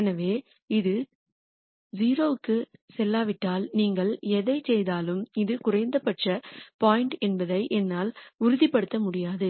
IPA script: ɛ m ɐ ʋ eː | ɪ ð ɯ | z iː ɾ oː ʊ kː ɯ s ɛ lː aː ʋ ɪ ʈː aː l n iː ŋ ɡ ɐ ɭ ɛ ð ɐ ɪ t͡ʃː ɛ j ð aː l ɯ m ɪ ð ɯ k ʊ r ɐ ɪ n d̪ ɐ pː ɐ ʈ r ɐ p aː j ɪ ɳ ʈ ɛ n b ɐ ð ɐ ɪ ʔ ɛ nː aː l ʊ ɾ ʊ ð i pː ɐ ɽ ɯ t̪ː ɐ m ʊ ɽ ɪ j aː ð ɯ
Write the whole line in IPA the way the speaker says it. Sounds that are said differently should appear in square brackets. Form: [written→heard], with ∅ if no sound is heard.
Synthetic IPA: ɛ [m→n] ɐ ʋ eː | ɪ ð ɯ | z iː ɾ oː [ʊ→ɯ] kː ɯ s ɛ lː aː ʋ ɪ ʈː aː l n iː ŋ ɡ ɐ ɭ ɛ ð ɐ ɪ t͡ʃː ɛ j ð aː l ɯ m ɪ ð ɯ k ʊ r ɐ ɪ n d̪ ɐ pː ɐ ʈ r ɐ p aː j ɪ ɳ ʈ ɛ n b ɐ ð ɐ ɪ ʔ ɛ nː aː l ʊ ɾ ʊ ð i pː ɐ ɽ ɯ t̪ː ɐ m ʊ ɽ ɪ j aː ð ɯ

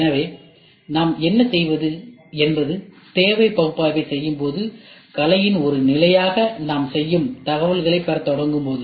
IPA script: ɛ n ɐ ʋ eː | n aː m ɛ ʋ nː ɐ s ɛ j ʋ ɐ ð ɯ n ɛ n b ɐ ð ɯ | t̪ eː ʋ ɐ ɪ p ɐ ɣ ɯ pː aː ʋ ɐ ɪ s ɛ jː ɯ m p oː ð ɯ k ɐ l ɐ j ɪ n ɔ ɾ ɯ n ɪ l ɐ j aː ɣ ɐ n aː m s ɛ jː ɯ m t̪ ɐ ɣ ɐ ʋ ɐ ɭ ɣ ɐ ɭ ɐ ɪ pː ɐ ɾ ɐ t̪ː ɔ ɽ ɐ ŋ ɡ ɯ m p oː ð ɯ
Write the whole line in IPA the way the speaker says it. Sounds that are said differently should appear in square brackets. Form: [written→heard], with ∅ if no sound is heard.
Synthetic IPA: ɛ n ɐ ʋ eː | n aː m ɛ [ʋ→∅] nː ɐ s ɛ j ʋ ɐ ð ɯ [n→∅] ɛ n b ɐ ð ɯ | t̪ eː ʋ ɐ ɪ p ɐ ɣ ɯ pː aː ʋ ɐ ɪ s ɛ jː ɯ m p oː ð ɯ k ɐ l ɐ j ɪ n ɔ ɾ ɯ n ɪ l ɐ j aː ɣ ɐ n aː m s ɛ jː ɯ m t̪ ɐ ɣ ɐ ʋ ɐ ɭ ɣ ɐ ɭ ɐ ɪ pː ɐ ɾ ɐ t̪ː ɔ ɽ ɐ ŋ ɡ ɯ m p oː ð ɯ

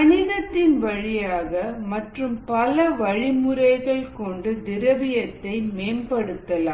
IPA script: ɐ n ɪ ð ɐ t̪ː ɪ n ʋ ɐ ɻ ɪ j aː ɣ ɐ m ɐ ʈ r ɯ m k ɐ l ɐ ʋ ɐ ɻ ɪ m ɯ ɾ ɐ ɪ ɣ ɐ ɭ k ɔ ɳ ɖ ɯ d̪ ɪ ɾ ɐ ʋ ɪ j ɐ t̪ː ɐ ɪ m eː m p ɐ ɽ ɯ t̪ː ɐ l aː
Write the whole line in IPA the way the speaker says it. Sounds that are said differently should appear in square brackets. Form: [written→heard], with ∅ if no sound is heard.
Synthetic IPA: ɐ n ɪ ð ɐ t̪ː ɪ n ʋ ɐ ɻ ɪ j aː ɣ ɐ m ɐ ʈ r ɯ m [k→p] ɐ l ɐ ʋ ɐ ɻ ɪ m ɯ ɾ ɐ ɪ ɣ ɐ ɭ k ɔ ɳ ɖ ɯ d̪ ɪ ɾ ɐ ʋ ɪ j ɐ t̪ː ɐ ɪ m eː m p ɐ ɽ ɯ t̪ː ɐ l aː

